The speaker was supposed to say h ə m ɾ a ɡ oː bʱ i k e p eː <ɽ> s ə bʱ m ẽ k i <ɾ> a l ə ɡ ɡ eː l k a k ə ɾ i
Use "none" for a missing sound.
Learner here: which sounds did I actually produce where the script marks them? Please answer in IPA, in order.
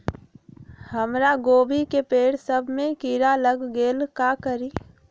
ɽ, ɾ

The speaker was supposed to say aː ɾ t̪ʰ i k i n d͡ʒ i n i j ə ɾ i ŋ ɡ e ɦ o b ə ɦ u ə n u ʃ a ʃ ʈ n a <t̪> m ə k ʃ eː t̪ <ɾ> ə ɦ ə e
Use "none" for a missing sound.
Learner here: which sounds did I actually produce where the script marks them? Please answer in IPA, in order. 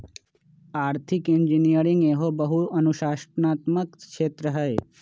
t̪, ɾ

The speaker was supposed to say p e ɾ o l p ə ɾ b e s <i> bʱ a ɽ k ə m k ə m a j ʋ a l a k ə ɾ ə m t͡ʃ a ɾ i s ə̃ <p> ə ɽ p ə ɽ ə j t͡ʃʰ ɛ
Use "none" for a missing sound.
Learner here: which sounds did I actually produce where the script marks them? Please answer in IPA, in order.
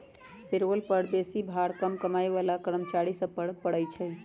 i, p

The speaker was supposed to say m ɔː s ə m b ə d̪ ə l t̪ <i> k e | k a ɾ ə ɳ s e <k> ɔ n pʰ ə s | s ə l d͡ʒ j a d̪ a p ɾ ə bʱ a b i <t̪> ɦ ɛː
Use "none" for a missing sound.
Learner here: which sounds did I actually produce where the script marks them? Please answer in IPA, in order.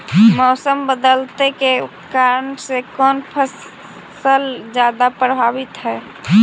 e, k, t̪

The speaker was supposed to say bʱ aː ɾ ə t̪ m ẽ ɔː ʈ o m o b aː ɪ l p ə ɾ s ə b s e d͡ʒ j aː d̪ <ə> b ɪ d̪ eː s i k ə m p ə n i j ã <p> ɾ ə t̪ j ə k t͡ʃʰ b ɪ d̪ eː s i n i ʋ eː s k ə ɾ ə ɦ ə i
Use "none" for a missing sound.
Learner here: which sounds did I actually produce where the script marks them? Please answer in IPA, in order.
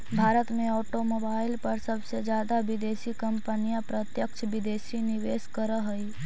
a, p

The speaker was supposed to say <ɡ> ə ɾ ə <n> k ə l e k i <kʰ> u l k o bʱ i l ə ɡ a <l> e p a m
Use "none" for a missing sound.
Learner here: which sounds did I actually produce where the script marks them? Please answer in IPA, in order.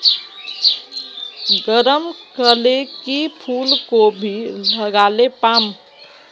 ɡ, m, pʰ, l

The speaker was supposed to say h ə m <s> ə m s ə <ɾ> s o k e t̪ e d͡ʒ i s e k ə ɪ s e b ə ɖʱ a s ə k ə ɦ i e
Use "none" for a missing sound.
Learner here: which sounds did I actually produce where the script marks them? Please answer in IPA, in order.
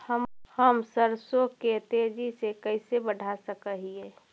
h, ɾ

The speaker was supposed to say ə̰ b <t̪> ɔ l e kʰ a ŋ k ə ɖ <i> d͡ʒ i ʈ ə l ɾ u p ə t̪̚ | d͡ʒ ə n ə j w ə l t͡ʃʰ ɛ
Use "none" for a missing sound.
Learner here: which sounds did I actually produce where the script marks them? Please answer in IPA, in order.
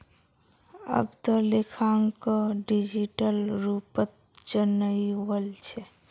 t̪, i

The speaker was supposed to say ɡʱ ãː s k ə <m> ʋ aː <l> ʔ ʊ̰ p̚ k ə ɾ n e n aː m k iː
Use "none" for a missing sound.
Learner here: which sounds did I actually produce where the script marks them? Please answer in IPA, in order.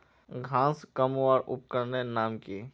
m, ɾ

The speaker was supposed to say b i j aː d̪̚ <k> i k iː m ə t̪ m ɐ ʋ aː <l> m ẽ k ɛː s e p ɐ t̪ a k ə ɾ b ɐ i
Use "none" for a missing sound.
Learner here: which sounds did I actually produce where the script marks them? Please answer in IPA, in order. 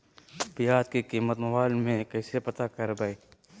k, l

